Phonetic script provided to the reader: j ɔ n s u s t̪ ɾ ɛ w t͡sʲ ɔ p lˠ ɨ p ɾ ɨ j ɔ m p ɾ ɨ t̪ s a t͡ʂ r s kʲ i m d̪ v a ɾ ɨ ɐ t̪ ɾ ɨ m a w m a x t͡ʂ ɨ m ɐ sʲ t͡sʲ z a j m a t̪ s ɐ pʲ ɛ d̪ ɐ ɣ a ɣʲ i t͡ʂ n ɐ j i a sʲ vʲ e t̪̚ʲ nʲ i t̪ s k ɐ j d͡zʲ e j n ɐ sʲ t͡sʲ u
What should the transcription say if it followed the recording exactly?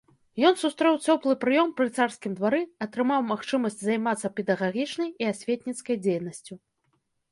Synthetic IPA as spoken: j ɔ n s u s t̪ ɾ ɛ w t͡sʲ ɔ p lˠ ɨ p ɾ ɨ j ɔ m p ɾ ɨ t̪ s a r s kʲ i m d̪ v a ɾ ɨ ɐ t̪ ɾ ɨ m a w m a x t͡ʂ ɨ m ɐ sʲ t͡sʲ z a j m a t̪ s ɐ pʲ ɛ d̪ ɐ ɣ a ɣʲ i t͡ʂ n ɐ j i a sʲ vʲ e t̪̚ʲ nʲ i t̪ s k ɐ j d͡zʲ e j n ɐ sʲ t͡sʲ u